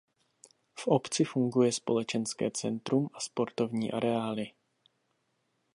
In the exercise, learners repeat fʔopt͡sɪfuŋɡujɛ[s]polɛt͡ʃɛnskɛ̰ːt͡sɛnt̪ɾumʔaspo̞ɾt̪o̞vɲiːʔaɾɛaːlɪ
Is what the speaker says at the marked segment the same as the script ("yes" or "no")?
yes